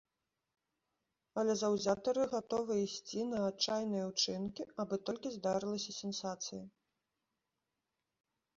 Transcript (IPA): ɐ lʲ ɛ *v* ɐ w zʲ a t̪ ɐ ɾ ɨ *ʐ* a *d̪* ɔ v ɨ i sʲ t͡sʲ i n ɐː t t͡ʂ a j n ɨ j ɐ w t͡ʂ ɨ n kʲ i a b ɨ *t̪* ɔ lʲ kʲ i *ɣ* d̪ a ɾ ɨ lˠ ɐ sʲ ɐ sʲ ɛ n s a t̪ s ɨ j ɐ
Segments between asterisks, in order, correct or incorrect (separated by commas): incorrect, incorrect, incorrect, correct, incorrect